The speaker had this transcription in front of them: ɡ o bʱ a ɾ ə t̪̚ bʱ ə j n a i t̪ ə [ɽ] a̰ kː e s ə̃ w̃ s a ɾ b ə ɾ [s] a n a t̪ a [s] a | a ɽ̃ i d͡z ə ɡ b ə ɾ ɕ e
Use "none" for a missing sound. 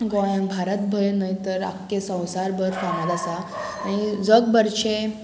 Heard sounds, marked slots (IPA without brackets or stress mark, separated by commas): ɾ, f, s